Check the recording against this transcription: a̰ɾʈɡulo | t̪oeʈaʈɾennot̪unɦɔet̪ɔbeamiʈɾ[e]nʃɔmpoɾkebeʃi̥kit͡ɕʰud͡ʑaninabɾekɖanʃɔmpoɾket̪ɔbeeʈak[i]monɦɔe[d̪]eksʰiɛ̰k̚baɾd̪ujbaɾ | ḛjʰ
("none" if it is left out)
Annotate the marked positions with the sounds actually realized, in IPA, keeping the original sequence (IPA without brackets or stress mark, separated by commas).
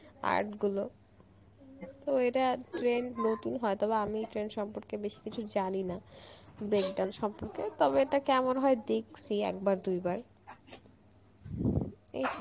e, ɛ, d̪